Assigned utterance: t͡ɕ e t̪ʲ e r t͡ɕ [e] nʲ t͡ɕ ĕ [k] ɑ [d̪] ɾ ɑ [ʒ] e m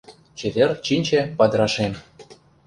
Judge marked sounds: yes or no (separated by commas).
no, no, yes, no